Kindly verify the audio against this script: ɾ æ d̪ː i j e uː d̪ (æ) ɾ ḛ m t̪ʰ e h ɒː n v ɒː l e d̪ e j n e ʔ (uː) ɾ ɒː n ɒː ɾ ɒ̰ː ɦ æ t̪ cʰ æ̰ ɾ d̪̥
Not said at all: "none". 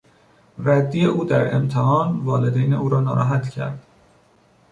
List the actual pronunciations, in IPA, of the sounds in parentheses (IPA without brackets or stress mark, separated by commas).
æ, uː